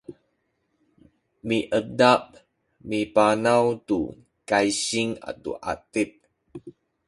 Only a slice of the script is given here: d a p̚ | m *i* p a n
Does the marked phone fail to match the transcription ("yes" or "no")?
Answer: no